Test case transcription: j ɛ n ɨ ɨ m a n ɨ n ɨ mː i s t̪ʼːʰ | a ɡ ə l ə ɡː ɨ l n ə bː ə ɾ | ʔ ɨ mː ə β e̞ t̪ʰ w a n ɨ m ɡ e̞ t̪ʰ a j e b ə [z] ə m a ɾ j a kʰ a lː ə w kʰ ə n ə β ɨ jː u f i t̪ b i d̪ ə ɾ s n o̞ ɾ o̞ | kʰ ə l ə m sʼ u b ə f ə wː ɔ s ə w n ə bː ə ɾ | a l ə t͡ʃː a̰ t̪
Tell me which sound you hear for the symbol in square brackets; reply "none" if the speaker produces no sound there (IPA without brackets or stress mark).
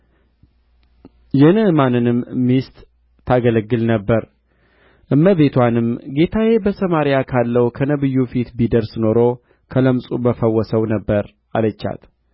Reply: s